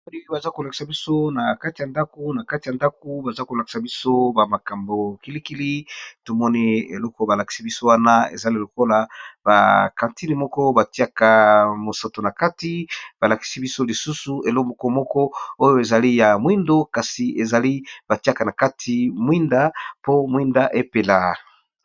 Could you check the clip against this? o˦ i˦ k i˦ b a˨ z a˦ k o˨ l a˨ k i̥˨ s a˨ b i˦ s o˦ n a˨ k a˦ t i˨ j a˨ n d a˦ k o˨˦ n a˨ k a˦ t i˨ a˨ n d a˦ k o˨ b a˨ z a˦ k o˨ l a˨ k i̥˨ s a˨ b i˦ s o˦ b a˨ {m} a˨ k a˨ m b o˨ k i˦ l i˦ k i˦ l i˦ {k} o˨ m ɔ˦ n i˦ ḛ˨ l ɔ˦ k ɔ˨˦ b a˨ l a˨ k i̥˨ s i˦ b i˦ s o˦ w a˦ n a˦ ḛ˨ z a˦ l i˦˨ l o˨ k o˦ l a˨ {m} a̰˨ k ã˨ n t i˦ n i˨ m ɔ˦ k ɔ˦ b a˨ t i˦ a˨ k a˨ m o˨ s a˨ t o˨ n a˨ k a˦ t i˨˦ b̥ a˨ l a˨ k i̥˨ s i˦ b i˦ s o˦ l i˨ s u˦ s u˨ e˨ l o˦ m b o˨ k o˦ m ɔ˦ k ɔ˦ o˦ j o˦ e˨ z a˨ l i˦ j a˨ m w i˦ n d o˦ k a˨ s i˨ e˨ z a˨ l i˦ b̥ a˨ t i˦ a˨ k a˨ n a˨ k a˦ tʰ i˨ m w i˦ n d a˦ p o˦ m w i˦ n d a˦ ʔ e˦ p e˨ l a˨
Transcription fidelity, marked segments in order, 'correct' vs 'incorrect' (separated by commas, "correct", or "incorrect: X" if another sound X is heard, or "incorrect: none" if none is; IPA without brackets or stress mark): correct, incorrect: t, incorrect: b